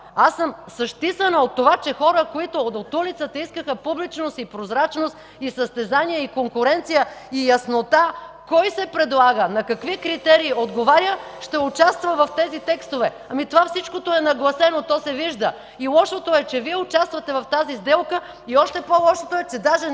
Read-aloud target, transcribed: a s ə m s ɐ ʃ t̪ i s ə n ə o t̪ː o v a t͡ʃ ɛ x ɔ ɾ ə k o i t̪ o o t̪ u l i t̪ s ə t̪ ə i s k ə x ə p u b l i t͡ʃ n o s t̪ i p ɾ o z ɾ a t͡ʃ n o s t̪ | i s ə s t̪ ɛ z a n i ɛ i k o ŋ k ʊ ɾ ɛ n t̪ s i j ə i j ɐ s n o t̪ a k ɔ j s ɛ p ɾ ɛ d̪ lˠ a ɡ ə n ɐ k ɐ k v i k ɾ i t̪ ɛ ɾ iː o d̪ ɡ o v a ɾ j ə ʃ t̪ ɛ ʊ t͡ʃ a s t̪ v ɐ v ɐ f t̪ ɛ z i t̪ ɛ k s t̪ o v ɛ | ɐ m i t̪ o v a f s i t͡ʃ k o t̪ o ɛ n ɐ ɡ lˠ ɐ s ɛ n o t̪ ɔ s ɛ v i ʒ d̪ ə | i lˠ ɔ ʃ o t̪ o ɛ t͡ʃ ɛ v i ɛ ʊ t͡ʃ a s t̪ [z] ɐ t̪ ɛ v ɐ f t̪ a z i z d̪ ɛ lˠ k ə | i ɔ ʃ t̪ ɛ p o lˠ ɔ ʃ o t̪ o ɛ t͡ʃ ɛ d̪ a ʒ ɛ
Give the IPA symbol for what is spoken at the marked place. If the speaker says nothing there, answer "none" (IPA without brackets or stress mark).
v